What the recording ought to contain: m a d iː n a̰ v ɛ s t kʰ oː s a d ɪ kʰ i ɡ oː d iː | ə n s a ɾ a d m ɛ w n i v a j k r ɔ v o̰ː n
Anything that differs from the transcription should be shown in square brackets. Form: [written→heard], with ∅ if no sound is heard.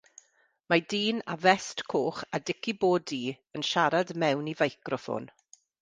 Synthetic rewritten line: m a d iː n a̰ v ɛ s t kʰ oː [s→χ] a d ɪ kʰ i [ɡ→b] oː d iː | ə n [s→ʃ] a ɾ a d m ɛ w n i v a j k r ɔ [v→f] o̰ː n